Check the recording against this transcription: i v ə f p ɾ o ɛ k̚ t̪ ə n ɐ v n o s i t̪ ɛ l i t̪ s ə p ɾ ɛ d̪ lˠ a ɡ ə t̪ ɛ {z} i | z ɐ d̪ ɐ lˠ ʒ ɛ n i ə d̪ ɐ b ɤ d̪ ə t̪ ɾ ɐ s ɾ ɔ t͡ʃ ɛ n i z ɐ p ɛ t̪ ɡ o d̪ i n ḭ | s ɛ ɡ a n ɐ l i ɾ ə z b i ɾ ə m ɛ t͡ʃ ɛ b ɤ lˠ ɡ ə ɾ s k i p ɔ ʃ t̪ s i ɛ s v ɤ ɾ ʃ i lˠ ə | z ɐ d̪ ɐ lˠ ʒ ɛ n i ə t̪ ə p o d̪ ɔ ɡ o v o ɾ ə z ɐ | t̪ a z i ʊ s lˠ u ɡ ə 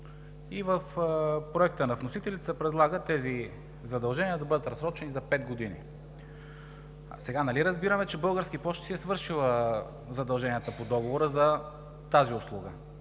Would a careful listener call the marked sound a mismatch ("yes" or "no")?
no